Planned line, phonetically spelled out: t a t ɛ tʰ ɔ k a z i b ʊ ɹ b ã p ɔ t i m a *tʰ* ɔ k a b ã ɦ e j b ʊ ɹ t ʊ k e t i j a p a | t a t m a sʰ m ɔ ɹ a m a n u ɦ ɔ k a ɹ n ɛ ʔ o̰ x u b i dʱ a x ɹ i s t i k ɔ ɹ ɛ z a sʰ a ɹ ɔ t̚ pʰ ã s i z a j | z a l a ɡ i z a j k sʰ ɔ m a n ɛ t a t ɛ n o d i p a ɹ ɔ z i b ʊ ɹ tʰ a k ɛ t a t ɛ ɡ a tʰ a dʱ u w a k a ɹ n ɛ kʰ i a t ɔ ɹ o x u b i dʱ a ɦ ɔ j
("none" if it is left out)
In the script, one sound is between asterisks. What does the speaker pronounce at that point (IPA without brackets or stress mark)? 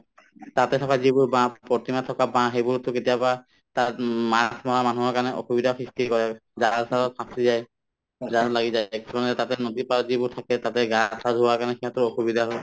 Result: tʰ